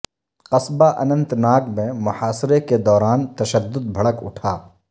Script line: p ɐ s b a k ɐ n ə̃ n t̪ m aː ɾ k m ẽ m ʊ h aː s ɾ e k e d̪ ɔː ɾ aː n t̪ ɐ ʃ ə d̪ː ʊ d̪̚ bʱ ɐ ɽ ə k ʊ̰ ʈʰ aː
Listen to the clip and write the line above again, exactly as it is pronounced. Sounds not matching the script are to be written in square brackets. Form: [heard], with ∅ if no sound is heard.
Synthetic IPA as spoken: [q] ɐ s b a [ʔ] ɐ n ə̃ n t̪ [n] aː [∅] k m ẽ m ʊ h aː s ɾ e k e d̪ ɔː ɾ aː n t̪ ɐ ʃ ə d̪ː ʊ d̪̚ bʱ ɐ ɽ ə k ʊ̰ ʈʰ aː